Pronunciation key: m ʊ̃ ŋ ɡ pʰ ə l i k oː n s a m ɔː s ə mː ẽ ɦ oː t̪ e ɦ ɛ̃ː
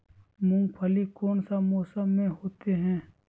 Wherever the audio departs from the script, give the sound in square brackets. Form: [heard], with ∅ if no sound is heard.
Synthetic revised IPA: m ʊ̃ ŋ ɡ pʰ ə l i k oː n s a m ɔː s ə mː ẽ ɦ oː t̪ e ɦ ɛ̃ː

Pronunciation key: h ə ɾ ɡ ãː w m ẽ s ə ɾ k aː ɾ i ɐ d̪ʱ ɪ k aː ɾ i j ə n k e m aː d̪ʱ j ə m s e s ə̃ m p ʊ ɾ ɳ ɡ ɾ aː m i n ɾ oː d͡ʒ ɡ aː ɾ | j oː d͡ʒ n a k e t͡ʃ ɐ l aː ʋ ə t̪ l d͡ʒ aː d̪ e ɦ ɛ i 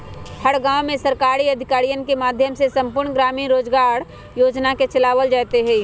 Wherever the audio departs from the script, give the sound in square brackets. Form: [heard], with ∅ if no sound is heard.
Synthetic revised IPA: h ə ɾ ɡ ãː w m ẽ s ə ɾ k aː ɾ i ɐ d̪ʱ ɪ k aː ɾ i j ə n k e m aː d̪ʱ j ə m s e s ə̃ m p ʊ ɾ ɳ ɡ ɾ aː m i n ɾ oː d͡ʒ ɡ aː ɾ | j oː d͡ʒ n a k e t͡ʃ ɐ l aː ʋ ə [∅] l d͡ʒ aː [t̪] e ɦ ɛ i

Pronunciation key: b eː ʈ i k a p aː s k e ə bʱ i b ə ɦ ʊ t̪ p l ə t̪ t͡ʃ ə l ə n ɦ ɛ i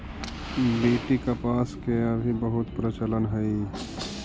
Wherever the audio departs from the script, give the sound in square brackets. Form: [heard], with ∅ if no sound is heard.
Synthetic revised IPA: b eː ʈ i k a p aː s k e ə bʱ i b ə ɦ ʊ t̪ p [ɾ] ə [∅] t͡ʃ ə l ə n ɦ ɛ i

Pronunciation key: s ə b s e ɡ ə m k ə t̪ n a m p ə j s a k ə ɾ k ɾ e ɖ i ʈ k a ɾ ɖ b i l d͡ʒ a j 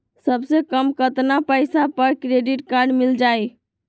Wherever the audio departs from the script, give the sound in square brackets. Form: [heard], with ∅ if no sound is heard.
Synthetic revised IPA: s ə b s e [k] ə m k ə t̪ n a [∅] p ə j s a [p] ə ɾ k ɾ e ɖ i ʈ k a ɾ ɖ [m] i l d͡ʒ a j

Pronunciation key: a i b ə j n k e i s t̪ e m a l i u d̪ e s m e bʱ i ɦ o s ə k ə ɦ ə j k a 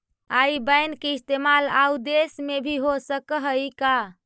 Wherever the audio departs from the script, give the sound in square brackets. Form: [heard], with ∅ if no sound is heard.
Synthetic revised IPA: a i b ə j n k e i s t̪ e m a l [a] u d̪ e s m e bʱ i ɦ o s ə k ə ɦ ə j k a

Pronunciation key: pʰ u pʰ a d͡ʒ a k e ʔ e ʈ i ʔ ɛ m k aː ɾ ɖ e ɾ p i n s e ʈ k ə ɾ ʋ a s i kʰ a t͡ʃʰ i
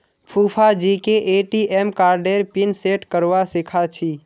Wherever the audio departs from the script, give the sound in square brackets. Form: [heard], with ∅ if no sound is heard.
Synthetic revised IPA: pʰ u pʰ a d͡ʒ [i] k e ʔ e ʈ i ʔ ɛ m k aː ɾ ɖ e ɾ p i n s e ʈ k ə ɾ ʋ a s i kʰ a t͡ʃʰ i

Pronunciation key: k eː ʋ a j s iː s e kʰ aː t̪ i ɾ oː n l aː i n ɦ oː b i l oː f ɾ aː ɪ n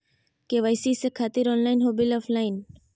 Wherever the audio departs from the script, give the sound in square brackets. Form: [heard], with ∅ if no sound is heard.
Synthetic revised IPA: k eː ʋ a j s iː s e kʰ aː t̪ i ɾ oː n l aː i n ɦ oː b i l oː f [l] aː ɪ n

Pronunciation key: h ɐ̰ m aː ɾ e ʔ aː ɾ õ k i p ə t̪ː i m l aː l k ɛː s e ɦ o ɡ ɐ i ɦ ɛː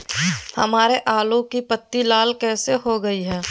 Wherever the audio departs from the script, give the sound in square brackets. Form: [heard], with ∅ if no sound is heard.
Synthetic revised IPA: h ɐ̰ m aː ɾ e ʔ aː [l] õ k i p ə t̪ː i [∅] l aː l k ɛː s e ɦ o ɡ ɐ i ɦ ɛː

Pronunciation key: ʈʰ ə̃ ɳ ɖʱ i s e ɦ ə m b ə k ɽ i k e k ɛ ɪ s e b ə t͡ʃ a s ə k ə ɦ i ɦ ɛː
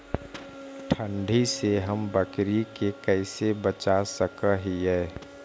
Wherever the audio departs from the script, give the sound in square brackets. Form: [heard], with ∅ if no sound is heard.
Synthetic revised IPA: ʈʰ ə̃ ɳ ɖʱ i s e ɦ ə m b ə k [ɾ] i k e k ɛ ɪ s e b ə t͡ʃ a s ə k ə ɦ i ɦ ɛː

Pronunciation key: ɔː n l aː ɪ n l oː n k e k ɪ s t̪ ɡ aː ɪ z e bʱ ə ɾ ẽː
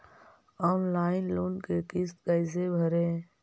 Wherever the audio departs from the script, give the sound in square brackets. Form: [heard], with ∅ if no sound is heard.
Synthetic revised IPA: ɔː n l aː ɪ n l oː n k e k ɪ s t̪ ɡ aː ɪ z e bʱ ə ɾ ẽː

